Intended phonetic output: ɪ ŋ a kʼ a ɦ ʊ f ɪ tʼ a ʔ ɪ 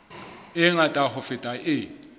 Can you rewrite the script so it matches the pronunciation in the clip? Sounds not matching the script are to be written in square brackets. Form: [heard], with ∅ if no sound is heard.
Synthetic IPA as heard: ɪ ŋ a [tʼ] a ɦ ʊ f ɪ tʼ a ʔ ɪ